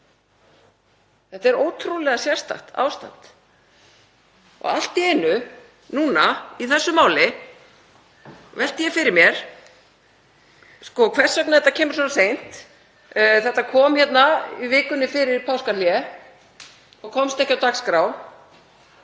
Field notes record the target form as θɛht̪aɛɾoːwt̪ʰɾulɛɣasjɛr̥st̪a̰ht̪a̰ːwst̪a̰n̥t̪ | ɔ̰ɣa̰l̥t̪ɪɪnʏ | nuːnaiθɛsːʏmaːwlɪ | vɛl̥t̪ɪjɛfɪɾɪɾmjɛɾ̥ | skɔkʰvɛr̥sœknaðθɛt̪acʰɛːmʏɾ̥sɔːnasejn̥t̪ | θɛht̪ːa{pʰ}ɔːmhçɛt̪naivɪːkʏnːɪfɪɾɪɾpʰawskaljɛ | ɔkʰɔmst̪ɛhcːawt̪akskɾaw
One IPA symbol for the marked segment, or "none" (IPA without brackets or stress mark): kʰ